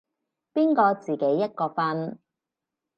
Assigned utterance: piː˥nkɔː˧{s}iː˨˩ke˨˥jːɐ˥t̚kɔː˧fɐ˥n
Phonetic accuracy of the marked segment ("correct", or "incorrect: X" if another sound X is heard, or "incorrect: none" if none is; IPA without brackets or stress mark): incorrect: t͡s